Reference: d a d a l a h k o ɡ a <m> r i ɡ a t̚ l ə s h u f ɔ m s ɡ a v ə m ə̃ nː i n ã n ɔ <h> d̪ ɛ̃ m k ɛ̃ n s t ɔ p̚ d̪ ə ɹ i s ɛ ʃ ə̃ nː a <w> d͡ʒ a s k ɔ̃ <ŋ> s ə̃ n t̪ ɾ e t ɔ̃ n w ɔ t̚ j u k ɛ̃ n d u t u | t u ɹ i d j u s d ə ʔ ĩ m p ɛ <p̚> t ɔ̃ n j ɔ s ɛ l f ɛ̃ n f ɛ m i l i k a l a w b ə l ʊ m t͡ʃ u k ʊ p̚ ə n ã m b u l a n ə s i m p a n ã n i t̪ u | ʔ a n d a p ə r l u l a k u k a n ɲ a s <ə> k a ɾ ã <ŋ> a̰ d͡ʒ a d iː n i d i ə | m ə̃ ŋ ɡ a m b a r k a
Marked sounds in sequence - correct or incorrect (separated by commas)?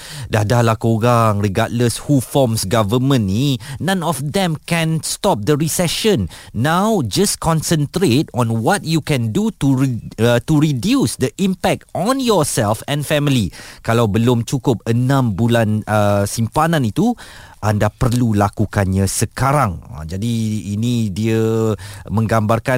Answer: incorrect, incorrect, correct, incorrect, incorrect, correct, correct